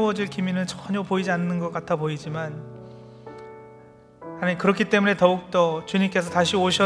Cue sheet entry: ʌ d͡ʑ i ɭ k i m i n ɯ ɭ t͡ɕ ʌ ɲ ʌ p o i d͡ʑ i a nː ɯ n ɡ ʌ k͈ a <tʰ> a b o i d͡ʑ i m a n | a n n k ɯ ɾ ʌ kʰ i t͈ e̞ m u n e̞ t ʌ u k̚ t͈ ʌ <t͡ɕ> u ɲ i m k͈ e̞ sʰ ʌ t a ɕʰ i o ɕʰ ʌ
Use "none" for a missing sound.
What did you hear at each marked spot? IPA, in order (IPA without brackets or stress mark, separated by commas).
tʰ, t͡ɕ